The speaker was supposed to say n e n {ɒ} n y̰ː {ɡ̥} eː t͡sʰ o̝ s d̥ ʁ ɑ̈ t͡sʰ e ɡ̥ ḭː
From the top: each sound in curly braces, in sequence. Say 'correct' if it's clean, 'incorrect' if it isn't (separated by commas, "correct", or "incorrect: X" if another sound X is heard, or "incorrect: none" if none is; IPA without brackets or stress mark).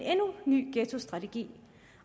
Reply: incorrect: u, correct